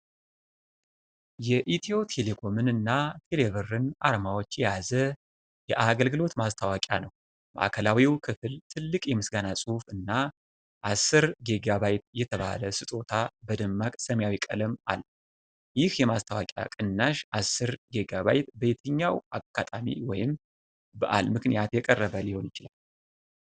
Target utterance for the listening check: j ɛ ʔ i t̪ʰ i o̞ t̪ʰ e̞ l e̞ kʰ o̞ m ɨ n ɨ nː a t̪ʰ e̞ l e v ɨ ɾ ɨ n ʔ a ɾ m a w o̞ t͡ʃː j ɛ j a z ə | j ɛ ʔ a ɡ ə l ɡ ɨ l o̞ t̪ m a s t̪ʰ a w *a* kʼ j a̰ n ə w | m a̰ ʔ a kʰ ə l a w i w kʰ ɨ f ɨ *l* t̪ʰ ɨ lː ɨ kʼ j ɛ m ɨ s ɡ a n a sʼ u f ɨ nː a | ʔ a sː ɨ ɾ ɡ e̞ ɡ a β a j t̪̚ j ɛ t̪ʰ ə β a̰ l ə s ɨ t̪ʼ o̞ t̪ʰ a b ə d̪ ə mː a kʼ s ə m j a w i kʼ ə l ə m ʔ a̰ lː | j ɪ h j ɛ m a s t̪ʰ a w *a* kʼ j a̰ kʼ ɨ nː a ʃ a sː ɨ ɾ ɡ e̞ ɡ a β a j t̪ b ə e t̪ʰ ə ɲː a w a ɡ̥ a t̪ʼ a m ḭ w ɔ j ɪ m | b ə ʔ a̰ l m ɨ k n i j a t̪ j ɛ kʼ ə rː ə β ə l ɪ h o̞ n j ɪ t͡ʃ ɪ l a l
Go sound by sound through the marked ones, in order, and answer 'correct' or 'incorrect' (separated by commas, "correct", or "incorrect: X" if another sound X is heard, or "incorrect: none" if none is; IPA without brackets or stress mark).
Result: correct, correct, correct